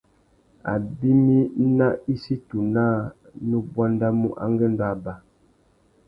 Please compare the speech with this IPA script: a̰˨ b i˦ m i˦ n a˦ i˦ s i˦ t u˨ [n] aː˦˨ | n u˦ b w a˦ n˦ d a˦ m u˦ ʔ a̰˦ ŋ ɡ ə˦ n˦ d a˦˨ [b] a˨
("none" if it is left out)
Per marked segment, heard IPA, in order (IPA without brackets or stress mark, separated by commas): n, b